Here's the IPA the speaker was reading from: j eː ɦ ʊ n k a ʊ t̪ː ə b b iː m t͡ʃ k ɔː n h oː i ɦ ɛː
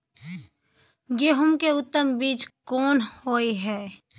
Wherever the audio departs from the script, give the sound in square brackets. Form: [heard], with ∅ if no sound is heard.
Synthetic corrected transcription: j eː ɦ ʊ [m] k [e] ʊ t̪ː ə [m] b iː [∅] t͡ʃ k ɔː n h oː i ɦ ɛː